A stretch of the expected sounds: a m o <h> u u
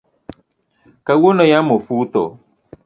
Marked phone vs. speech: incorrect: f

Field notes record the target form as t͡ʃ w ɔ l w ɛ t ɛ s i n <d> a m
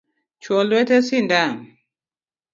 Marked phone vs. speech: correct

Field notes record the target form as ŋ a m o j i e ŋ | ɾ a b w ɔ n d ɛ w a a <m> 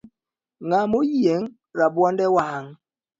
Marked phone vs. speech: incorrect: ŋ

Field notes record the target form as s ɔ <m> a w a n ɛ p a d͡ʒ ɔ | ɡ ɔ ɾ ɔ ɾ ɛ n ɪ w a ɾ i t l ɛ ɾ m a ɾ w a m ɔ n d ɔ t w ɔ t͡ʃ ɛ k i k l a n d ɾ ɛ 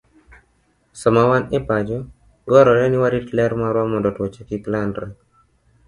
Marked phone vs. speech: correct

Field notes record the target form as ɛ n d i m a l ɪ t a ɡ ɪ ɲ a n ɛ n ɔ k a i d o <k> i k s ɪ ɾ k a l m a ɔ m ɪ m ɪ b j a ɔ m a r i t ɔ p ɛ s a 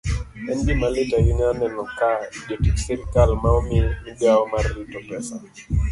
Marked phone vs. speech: incorrect: t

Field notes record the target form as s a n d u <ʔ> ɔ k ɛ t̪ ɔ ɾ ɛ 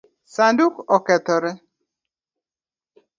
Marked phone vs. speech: incorrect: k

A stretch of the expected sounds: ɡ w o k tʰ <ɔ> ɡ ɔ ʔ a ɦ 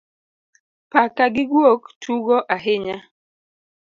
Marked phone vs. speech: incorrect: u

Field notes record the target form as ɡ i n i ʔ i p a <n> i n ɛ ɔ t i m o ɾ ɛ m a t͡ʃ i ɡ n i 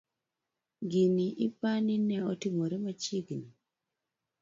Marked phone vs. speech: correct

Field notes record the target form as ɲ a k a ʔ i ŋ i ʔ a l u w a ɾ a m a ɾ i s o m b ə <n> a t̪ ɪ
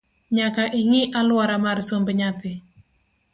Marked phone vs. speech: incorrect: ɲ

